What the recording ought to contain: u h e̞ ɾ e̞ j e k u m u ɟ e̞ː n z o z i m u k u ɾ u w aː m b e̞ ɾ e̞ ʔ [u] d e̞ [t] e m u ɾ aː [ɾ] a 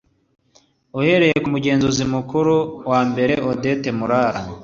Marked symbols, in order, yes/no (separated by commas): no, yes, yes